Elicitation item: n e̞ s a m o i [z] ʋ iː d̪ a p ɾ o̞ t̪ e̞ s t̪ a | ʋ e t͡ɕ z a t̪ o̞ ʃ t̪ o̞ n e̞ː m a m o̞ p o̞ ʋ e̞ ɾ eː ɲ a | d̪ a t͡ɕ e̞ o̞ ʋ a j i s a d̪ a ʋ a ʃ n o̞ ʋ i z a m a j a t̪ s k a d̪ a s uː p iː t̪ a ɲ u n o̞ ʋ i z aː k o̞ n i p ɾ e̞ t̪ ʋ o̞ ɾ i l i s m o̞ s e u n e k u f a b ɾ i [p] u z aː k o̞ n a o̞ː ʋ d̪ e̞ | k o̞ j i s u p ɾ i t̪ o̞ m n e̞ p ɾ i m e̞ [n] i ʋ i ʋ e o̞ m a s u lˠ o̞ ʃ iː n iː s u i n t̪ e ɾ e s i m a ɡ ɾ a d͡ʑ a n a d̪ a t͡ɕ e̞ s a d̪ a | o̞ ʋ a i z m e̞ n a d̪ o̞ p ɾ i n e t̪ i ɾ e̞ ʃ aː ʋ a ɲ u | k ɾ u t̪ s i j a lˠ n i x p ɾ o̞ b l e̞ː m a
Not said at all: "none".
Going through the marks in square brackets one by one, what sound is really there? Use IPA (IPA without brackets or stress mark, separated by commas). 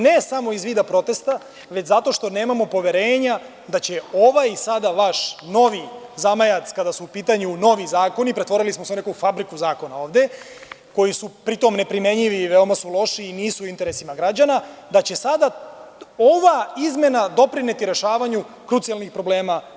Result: z, k, ɲ